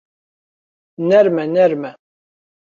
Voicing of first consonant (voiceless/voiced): voiced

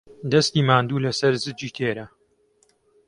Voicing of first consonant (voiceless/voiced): voiced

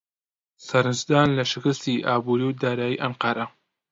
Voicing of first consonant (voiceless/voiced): voiceless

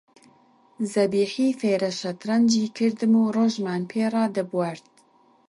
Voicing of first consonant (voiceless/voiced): voiced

